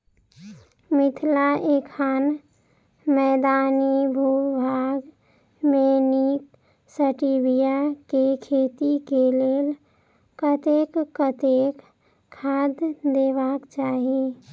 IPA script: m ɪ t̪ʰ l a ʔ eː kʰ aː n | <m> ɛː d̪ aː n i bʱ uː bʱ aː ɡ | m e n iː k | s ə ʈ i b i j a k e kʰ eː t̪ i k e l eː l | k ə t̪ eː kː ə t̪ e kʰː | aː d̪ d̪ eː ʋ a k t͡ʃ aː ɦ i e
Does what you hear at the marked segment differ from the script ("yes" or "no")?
no